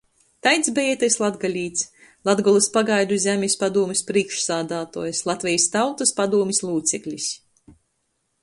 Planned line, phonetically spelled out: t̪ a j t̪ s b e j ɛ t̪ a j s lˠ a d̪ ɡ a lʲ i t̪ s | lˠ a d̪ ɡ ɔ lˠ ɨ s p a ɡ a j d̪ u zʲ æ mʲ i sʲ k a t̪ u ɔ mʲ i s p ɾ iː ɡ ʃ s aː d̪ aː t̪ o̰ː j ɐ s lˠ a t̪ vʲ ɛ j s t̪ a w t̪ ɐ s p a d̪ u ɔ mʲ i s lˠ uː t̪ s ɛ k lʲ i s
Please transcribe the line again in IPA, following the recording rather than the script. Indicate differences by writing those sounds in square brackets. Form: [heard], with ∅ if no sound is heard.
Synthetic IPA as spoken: t̪ a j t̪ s b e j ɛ t̪ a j s lˠ a d̪ ɡ a lʲ [iː] t̪ s | lˠ a d̪ ɡ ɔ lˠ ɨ s p a ɡ a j d̪ u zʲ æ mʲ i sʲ [p] a [d̪] u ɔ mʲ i s p ɾ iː [k] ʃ s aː d̪ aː t̪ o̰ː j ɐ s lˠ a t̪ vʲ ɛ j s t̪ a w t̪ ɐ s p a d̪ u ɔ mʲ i s lˠ uː t̪ s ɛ k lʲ i s